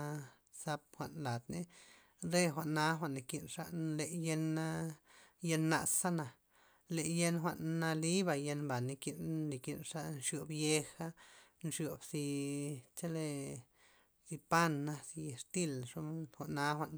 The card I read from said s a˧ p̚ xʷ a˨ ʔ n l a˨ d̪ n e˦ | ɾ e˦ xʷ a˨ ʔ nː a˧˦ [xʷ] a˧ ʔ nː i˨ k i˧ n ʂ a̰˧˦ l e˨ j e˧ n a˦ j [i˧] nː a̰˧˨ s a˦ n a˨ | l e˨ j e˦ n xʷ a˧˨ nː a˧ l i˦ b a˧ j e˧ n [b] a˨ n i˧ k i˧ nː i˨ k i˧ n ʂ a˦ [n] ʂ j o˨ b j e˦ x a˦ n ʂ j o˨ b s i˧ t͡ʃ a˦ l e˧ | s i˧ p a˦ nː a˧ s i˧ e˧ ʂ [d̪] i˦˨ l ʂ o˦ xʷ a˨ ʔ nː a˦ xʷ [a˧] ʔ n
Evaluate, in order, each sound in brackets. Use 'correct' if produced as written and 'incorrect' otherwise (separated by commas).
correct, incorrect, correct, correct, incorrect, correct